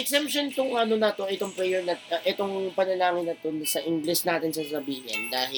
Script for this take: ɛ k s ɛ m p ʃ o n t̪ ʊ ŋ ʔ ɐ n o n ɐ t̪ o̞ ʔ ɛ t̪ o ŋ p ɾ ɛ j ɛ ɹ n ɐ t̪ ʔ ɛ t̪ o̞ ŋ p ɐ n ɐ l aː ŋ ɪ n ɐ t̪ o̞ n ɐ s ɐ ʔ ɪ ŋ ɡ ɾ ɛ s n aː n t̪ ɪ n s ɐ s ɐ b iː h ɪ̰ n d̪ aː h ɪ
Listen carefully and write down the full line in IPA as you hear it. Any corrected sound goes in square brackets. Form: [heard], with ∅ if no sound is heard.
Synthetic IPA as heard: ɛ k s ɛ m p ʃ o n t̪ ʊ ŋ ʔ ɐ n o n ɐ t̪ o̞ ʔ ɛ t̪ o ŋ p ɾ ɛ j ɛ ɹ n ɐ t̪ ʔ ɛ t̪ o̞ ŋ p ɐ n ɐ l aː ŋ ɪ n ɐ t̪ o̞ n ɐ s ɐ ʔ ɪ ŋ ɡ [l] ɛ s n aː [∅] t̪ ɪ n s ɐ s ɐ b iː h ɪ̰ n d̪ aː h ɪ